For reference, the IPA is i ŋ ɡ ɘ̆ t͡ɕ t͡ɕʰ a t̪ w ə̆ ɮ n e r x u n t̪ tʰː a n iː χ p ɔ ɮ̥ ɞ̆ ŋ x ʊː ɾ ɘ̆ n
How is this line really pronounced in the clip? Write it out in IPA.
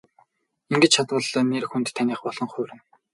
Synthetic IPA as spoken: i ŋ ɡ ɘ̆ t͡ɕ t͡ɕʰ a t̪ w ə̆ ɮ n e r x u n t̪ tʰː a n iː χ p ɔ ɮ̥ ɞ̆ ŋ χ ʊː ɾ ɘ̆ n